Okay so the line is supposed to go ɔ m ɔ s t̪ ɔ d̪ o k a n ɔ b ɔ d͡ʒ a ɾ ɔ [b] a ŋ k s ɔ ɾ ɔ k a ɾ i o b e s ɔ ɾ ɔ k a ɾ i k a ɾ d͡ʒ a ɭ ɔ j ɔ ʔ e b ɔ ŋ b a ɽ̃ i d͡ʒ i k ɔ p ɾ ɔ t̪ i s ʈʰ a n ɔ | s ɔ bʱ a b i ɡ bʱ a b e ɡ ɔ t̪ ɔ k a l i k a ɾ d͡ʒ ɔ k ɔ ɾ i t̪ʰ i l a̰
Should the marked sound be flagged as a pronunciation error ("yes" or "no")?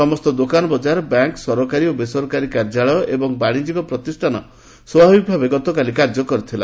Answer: no